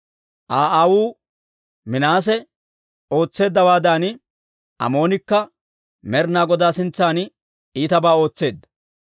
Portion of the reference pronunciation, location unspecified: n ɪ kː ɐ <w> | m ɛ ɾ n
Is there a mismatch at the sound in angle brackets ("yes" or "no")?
yes